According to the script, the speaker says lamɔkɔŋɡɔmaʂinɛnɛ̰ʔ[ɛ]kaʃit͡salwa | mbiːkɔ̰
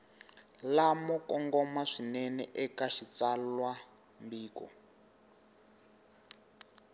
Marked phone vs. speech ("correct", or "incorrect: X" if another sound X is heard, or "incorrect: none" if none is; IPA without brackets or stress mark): correct